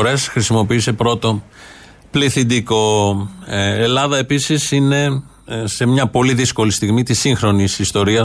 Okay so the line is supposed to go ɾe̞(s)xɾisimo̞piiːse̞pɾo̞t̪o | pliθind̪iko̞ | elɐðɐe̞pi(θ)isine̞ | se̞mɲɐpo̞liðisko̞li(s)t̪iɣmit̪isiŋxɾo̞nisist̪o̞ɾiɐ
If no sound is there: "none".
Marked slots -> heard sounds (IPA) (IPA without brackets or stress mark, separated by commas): s, s, s